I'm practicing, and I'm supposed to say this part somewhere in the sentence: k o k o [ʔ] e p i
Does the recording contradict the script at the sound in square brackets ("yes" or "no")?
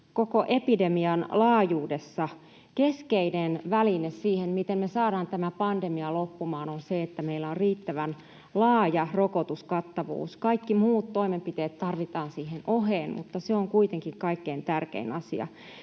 no